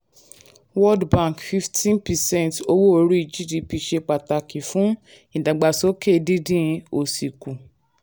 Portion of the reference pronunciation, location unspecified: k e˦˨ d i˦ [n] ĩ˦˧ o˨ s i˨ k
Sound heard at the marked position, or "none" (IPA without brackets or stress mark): d